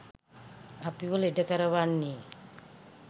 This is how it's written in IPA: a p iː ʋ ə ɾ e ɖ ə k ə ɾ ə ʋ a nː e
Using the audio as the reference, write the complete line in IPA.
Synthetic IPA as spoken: a p i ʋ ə l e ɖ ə k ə ɾ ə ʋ a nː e